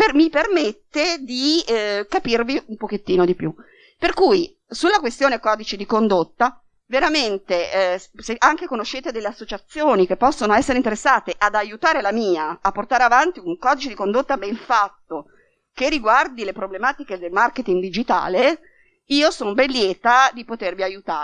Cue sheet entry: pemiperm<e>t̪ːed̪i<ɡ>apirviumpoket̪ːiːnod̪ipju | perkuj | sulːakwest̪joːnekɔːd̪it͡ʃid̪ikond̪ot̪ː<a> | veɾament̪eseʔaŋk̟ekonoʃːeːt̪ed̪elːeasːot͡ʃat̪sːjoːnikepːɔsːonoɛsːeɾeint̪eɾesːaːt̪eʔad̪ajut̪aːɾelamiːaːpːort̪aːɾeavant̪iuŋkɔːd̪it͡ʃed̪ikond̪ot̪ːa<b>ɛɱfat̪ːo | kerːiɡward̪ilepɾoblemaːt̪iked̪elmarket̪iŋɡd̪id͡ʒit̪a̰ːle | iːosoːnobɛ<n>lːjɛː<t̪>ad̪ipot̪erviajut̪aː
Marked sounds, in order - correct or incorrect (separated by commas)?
correct, incorrect, correct, correct, correct, correct